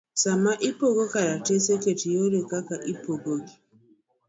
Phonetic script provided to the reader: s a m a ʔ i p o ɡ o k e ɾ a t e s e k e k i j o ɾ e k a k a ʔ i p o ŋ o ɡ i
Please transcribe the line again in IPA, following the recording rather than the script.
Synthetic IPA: s a m a ʔ i p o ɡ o k a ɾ a t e s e k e t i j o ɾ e k a k a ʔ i p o ɡ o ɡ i